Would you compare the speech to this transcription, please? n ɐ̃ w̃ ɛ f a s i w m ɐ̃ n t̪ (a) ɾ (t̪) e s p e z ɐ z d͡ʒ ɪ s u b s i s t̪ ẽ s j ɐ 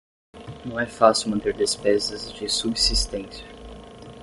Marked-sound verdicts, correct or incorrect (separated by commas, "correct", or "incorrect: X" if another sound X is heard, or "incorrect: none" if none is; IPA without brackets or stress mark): incorrect: e, incorrect: d̪